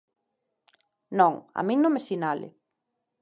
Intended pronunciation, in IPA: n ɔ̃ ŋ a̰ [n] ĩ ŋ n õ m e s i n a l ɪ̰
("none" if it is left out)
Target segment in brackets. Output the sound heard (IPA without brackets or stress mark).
m